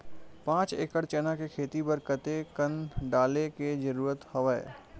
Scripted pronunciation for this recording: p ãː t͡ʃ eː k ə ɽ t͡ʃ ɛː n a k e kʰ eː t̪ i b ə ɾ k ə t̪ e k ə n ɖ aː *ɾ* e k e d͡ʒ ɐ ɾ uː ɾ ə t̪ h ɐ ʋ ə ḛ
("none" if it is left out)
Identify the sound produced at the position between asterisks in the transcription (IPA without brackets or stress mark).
l